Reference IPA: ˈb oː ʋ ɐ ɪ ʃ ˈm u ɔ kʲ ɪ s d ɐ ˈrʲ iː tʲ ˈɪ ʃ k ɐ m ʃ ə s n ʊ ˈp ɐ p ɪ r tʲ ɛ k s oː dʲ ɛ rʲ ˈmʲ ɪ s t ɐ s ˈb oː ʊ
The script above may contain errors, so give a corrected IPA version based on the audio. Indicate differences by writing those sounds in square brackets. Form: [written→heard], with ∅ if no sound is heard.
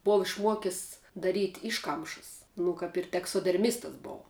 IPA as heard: ˈb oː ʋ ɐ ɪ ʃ ˈm u ɔ kʲ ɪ s d ɐ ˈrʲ iː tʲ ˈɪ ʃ k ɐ m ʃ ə s n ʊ [ˈp→ˈk] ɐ p ɪ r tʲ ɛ k s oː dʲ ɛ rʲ ˈmʲ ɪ s t ɐ s ˈb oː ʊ